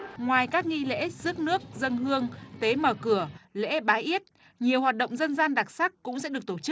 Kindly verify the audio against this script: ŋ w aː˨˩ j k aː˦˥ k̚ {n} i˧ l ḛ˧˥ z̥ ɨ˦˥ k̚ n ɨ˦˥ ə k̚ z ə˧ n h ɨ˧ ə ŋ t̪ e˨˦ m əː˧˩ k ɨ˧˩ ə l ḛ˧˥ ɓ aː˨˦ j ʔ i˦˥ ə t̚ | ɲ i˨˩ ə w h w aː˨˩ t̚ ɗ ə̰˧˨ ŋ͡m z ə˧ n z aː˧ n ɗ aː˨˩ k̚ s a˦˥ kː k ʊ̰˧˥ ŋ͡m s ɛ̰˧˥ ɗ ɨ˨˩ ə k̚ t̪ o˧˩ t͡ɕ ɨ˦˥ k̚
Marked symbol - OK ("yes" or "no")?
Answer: no